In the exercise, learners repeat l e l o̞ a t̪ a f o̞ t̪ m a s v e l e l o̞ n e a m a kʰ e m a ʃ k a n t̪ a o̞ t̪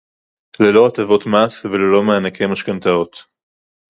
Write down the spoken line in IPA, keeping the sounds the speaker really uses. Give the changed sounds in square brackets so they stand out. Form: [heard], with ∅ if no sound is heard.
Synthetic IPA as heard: l e l o̞ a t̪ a [v] o̞ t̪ m a s v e l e l o̞ [m] e a [n] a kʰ e m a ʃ k a n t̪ a o̞ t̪